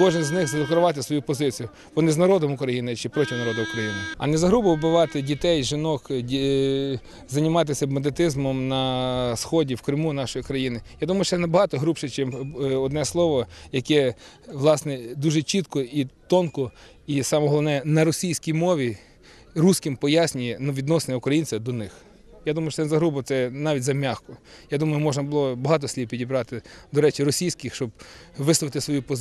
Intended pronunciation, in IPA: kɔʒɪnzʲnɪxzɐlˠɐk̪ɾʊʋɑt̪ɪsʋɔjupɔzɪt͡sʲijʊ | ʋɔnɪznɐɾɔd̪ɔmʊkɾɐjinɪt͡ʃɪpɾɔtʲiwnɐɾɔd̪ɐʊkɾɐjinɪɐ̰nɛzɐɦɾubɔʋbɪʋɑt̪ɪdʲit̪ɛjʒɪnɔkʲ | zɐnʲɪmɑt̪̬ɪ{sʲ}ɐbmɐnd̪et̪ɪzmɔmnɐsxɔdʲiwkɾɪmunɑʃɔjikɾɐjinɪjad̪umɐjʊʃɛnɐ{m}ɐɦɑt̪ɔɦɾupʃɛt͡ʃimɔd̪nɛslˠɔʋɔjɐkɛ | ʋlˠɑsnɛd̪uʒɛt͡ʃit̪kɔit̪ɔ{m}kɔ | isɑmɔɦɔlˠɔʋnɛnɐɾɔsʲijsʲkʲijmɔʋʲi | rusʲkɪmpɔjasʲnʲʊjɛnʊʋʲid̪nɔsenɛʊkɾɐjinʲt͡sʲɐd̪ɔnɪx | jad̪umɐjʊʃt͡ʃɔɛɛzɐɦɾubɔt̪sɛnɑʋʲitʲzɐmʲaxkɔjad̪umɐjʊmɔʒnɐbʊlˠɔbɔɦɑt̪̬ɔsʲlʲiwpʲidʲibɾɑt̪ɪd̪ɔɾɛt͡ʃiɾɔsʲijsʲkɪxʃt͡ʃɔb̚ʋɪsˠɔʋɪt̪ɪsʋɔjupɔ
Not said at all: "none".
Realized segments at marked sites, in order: sʲ, b, n

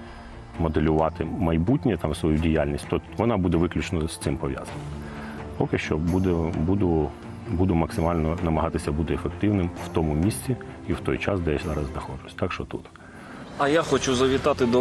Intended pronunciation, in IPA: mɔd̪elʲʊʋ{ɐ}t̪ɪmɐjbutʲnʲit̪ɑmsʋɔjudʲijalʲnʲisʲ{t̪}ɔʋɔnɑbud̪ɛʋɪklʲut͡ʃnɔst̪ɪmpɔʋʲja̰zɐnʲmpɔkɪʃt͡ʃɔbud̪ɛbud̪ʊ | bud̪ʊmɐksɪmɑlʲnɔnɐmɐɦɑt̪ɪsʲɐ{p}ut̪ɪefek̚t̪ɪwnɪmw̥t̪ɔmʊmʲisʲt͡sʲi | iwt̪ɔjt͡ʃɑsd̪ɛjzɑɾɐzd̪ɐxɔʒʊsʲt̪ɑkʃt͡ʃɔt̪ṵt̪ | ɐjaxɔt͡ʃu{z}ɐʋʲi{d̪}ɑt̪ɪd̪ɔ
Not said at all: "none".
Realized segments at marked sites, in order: ɑ, t̪, b, z, t̪

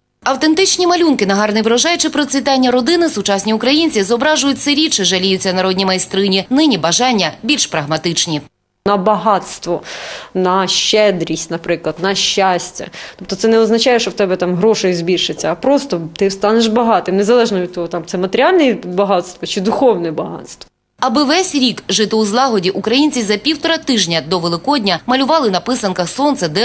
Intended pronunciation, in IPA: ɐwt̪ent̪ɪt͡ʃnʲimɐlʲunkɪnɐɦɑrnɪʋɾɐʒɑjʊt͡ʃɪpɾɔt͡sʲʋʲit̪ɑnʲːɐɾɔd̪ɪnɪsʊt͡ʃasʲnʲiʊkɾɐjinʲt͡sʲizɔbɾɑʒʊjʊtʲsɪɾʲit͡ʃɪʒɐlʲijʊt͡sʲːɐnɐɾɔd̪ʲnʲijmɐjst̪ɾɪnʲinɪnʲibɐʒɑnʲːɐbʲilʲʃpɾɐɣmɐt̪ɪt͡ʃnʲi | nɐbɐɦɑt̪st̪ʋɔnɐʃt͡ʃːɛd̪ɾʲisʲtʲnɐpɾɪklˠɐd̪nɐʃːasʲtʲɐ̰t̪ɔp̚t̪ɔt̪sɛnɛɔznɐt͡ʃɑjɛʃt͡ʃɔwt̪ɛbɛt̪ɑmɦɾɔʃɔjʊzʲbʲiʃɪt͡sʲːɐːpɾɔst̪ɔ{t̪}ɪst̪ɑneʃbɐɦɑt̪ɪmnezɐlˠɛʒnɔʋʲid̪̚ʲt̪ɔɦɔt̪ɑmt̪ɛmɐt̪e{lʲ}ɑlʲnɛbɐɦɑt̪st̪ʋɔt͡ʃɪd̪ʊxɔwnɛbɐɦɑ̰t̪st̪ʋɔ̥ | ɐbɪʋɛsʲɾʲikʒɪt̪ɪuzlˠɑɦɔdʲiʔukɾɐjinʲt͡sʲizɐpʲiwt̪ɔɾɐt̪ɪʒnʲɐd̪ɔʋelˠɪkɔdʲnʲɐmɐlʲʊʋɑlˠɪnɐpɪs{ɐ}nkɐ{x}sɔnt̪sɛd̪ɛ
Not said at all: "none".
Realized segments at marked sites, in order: t̪, ɾʲ, ɐ, x

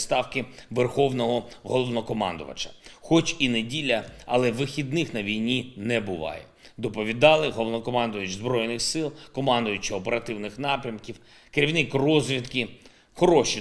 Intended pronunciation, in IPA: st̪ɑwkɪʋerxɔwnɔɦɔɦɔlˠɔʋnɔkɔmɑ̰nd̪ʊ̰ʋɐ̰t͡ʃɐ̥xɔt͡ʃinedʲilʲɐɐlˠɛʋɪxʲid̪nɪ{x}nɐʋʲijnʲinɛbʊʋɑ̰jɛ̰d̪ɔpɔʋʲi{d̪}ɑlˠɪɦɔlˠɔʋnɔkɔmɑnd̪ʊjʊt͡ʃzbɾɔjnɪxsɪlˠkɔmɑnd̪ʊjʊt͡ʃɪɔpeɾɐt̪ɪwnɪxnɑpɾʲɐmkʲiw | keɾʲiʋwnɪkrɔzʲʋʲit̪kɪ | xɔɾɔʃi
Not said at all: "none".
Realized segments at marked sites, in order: x, d̪

